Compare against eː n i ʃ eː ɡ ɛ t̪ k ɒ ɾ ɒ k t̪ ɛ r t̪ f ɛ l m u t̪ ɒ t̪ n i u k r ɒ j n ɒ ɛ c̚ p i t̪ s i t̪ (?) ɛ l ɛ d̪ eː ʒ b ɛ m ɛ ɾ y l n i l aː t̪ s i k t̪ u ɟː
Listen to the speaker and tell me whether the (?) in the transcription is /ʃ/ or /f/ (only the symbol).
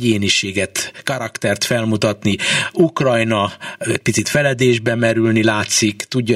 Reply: f